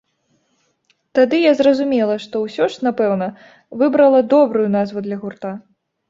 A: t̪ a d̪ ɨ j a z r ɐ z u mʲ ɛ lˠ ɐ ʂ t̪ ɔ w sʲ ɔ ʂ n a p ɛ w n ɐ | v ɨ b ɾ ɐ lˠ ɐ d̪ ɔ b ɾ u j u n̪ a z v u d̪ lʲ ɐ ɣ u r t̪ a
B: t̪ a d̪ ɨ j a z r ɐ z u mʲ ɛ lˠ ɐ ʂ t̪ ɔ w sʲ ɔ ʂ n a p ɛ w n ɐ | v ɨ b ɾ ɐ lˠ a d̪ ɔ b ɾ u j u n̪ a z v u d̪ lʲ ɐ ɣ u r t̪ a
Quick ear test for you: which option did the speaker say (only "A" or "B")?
A